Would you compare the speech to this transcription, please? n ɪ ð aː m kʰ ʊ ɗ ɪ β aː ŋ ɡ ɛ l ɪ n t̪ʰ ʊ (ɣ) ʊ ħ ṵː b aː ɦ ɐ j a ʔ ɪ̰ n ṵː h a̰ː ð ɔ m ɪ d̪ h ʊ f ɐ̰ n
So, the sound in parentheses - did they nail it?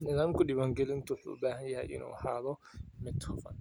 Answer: no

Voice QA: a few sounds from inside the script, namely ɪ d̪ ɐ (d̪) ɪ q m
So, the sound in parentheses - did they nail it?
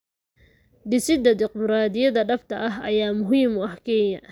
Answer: yes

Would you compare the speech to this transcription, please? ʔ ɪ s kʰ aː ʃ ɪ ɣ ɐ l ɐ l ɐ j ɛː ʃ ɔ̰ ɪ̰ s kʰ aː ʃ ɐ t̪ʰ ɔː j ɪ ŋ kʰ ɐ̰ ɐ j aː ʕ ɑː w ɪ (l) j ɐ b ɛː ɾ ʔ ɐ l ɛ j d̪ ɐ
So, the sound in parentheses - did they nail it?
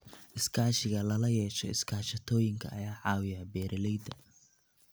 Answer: no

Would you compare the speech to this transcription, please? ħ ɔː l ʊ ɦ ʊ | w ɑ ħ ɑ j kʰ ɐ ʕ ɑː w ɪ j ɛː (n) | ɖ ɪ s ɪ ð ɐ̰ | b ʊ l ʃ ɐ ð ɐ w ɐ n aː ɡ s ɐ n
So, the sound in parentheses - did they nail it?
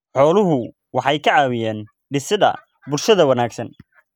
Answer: yes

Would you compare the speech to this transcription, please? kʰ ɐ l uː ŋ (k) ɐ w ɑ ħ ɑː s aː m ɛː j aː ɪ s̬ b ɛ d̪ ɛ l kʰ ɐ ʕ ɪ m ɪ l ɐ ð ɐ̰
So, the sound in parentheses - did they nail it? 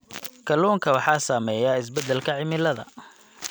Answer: no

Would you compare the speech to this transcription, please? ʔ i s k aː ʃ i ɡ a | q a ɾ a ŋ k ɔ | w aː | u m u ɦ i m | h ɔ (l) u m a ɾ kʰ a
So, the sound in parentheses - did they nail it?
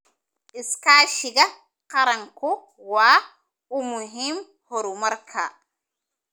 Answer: no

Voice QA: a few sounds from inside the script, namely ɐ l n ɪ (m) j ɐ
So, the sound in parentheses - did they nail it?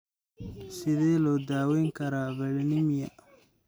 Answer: yes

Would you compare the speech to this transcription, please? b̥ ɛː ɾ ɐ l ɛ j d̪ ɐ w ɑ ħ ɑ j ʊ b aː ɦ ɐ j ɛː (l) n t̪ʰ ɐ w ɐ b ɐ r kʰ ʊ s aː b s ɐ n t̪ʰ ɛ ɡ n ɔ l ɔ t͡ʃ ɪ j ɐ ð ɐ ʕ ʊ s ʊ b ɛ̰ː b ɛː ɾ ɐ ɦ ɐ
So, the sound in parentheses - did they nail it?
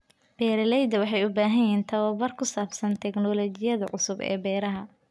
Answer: no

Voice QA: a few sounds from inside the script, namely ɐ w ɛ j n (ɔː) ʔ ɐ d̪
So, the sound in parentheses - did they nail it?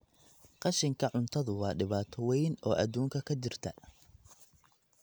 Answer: yes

